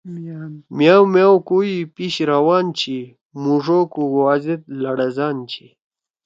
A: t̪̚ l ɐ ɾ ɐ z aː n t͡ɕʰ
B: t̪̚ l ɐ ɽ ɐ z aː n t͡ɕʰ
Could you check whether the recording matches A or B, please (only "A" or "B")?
B